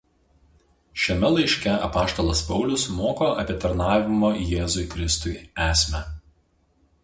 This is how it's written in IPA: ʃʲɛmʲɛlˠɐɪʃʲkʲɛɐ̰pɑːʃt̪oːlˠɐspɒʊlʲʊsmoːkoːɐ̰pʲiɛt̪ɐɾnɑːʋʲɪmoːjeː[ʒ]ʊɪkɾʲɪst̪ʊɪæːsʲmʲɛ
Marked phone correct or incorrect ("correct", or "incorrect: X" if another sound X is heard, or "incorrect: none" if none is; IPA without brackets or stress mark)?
incorrect: z